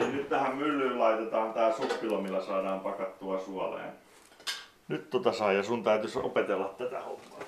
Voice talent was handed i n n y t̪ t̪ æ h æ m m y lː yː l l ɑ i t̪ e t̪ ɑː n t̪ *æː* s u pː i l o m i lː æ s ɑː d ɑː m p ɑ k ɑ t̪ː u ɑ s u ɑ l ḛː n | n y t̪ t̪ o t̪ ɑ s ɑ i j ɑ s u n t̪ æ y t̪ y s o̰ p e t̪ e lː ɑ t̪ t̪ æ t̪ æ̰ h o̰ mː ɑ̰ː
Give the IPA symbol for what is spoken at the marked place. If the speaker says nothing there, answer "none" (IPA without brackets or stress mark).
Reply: æː